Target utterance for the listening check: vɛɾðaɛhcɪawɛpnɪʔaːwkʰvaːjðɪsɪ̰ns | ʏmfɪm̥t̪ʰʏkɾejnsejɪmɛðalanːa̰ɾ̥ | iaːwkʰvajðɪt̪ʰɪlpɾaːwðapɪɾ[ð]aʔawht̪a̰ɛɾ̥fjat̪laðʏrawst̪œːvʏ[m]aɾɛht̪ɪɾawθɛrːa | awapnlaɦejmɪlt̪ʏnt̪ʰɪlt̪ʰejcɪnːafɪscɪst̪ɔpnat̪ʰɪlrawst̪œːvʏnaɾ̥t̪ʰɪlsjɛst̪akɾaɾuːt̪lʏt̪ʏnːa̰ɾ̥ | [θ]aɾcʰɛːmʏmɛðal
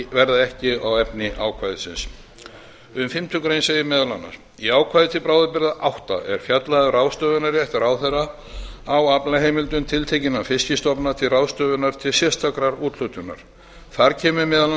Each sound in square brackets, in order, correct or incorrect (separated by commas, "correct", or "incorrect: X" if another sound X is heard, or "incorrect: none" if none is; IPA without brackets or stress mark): correct, incorrect: n, correct